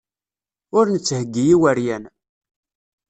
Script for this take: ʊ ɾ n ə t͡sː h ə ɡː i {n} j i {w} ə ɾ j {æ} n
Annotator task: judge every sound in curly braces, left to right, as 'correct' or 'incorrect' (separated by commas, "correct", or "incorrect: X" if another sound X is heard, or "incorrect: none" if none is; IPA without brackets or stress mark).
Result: incorrect: none, correct, correct